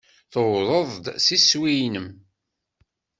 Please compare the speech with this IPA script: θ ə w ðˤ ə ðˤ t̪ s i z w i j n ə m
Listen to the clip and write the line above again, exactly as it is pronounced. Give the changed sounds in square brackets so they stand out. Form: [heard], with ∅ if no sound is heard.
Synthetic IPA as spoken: θ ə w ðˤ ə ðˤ [d̪] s i [s] w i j n ə m